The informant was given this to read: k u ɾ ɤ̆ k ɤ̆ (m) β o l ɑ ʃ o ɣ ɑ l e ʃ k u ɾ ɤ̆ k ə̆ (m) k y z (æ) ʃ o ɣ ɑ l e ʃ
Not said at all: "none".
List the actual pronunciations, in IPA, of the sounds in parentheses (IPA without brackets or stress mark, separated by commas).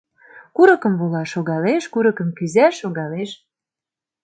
m, m, æ